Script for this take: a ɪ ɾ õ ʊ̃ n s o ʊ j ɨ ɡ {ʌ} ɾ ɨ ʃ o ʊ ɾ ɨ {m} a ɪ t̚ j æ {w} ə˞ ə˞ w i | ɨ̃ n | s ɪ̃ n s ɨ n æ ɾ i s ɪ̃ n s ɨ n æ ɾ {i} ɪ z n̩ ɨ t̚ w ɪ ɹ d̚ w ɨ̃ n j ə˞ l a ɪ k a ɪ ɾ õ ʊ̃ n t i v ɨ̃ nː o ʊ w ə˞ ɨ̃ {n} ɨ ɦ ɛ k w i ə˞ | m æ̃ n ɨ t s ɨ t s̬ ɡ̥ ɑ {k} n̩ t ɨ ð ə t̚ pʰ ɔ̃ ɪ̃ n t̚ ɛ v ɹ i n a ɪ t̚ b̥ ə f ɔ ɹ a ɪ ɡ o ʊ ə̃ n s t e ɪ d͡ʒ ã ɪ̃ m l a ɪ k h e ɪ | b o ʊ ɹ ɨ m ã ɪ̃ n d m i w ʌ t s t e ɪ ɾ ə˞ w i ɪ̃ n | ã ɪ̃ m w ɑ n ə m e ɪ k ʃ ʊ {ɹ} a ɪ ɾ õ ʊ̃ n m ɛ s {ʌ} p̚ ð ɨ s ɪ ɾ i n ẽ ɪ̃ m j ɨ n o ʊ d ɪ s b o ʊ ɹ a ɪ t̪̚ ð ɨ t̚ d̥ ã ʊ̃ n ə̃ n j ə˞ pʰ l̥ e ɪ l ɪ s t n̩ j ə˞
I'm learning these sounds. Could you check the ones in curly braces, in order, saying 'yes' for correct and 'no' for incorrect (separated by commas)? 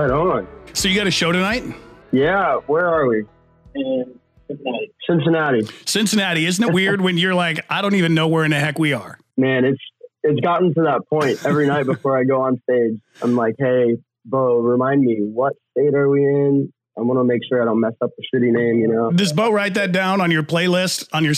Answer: no, no, yes, yes, yes, no, yes, yes